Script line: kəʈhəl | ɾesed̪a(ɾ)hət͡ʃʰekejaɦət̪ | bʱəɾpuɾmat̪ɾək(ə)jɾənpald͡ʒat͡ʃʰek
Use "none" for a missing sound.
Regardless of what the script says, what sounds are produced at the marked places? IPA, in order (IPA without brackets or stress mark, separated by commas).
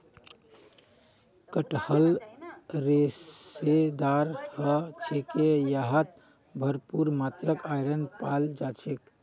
ɾ, a